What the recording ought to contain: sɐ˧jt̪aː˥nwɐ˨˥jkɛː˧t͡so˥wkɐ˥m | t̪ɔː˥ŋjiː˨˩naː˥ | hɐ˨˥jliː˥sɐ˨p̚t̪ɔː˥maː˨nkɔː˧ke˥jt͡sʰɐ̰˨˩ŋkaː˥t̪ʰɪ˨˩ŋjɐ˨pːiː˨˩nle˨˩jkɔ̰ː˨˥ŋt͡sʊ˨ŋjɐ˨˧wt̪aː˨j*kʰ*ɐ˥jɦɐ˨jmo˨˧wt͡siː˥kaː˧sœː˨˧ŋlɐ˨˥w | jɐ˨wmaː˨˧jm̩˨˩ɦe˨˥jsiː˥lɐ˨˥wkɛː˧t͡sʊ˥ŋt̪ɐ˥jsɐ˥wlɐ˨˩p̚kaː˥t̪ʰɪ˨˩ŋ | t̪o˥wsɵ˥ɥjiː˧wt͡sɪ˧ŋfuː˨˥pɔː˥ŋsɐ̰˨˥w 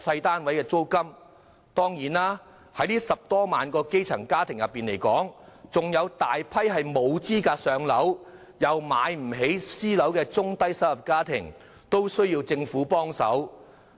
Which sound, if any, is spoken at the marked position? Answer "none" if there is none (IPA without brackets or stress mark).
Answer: pʰ